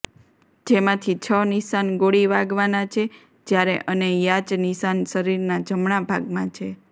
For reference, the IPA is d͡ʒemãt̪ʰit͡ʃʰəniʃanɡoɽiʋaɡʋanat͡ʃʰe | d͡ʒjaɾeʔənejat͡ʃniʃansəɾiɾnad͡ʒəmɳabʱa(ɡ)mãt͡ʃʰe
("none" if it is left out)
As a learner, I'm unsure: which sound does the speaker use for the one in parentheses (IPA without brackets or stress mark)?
ɡ